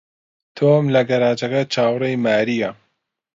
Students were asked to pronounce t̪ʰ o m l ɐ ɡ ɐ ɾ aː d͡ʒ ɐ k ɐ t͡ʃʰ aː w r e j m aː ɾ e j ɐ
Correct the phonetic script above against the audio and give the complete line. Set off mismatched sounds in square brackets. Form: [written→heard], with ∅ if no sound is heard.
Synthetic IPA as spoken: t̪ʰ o m l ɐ ɡ ɐ ɾ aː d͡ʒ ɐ k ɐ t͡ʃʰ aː w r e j m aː ɾ [e→i] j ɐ